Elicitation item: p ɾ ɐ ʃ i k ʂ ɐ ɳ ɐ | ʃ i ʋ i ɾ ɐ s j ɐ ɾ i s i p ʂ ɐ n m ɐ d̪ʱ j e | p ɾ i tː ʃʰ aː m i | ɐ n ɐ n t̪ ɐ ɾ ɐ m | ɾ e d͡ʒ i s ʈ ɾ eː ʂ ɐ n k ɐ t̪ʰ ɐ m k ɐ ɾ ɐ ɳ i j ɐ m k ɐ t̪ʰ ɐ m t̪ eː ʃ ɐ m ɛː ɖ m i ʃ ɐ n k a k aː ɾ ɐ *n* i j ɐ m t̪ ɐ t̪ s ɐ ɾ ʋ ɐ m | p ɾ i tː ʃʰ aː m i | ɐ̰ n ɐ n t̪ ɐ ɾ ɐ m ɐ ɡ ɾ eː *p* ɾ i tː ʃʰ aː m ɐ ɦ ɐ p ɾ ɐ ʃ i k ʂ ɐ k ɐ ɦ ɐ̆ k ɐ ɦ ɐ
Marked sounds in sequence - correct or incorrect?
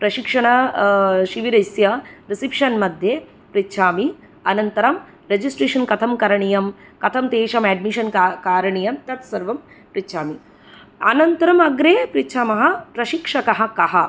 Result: incorrect, correct

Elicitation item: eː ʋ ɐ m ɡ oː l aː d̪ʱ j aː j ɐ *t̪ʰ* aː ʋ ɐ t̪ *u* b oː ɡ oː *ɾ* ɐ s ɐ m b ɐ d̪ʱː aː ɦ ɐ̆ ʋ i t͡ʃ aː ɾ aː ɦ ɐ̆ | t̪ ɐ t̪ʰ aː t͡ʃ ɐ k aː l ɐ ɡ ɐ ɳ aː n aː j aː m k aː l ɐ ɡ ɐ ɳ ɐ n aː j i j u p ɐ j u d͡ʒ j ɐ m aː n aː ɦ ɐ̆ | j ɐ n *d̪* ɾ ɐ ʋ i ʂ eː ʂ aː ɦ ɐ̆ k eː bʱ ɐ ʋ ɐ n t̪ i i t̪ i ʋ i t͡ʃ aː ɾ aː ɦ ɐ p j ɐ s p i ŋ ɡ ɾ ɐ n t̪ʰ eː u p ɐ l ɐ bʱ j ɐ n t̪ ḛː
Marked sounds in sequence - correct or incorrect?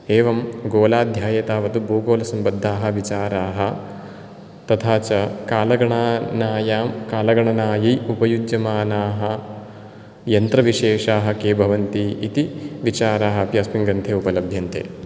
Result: incorrect, correct, incorrect, incorrect

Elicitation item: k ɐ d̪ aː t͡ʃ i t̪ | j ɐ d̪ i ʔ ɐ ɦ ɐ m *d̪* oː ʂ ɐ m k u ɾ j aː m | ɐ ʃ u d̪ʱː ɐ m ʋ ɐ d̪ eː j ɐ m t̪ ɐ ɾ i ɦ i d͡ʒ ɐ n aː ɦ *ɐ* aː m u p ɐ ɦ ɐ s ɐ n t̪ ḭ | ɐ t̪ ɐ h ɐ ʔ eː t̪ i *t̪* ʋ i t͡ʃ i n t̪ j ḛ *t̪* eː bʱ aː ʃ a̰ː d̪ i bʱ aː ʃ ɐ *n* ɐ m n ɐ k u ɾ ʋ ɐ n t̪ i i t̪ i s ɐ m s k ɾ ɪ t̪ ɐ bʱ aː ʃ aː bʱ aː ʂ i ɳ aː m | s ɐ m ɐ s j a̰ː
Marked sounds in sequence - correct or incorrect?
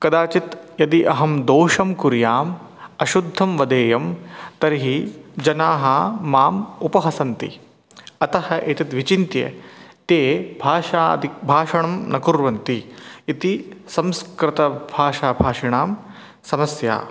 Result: correct, incorrect, correct, correct, incorrect

